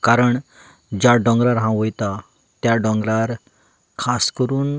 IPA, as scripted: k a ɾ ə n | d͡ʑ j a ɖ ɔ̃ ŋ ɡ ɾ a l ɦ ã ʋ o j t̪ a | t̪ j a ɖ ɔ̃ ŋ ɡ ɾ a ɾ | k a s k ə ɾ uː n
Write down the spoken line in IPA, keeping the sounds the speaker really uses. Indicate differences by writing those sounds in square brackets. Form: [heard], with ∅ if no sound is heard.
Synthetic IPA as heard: k a ɾ ə [ɳ] | d͡ʑ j a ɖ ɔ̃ ŋ ɡ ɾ a [ɾ] ɦ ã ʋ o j t̪ a | t̪ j a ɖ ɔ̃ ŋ ɡ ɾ a ɾ | [kʰ] a s k ə ɾ uː n